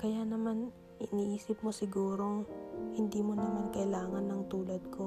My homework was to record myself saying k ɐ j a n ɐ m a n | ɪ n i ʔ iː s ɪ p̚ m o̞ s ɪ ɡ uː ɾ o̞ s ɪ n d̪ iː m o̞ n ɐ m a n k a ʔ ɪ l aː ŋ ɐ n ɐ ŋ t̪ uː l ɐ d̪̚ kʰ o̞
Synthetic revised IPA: k ɐ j a n ɐ m a n | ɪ n i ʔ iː s ɪ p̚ m o̞ s ɪ ɡ uː ɾ o̞ h ɪ n d̪ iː m o̞ n ɐ m a n k ɐ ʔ ɪ l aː ŋ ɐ n ɐ ŋ t̪ uː l ɐ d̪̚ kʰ o̞